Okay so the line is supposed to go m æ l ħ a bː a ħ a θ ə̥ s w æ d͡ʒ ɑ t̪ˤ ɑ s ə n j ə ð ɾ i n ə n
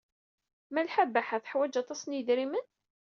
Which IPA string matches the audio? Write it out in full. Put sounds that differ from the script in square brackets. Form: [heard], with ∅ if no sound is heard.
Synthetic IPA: m æ l ħ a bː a ħ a θ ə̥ [ħ] w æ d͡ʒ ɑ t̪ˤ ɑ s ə n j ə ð ɾ i [m] ə n